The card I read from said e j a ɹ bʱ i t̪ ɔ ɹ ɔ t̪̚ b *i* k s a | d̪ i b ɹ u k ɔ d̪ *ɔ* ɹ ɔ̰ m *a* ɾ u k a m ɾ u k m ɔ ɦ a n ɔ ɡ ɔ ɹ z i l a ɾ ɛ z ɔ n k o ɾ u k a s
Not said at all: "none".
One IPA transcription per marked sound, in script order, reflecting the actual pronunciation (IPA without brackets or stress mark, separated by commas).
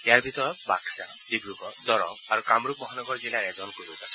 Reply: a, ɔ, a